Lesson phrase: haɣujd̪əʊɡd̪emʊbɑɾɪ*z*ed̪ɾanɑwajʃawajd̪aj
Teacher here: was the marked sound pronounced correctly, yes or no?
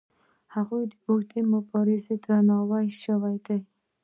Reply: yes